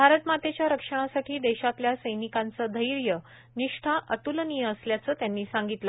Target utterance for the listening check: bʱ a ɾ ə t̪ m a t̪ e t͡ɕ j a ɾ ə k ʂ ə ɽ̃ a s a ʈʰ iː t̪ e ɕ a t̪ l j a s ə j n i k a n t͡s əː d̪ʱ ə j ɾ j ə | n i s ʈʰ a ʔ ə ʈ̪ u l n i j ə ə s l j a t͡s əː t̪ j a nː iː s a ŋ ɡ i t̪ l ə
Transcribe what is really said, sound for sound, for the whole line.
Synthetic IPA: bʱ a ɾ ə t̪ m a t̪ e t͡ɕ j a ɾ ə k ʂ ə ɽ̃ a s a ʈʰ iː d̪ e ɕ a t̪ l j a s ə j n i k a n t͡s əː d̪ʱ ə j ɾ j ə | n i ʂ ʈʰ a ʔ ə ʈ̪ u l n i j ə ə s l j a t͡s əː t̪ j a nː iː s a ŋ ɡ i t̪ l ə